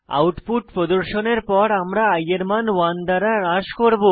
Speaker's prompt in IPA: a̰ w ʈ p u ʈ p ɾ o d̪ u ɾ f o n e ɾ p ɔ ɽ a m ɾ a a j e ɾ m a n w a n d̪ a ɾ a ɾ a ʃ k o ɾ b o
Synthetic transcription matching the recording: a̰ w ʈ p u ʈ p ɾ o d̪ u ɾ ʃ o n e ɾ p ɔ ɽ a m ɾ a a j e ɾ m a n w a n d̪ a ɾ a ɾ a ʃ k o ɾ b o